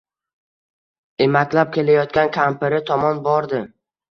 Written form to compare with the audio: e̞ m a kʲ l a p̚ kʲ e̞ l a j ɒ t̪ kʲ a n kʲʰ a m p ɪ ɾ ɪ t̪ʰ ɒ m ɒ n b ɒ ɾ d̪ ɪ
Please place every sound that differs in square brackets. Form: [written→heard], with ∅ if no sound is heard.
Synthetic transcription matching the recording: e̞ m a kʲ l a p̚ kʲ e̞ l a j ɒ t̪ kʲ a n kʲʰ a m p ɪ ɾ ɪ t̪ʰ ɒ m ɒ n b ɒ ɾ d̪ ɪ